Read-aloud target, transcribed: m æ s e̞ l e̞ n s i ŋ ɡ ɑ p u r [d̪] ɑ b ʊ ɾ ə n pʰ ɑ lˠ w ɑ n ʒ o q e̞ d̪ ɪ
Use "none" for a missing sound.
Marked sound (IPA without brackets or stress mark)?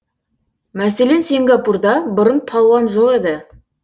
d̪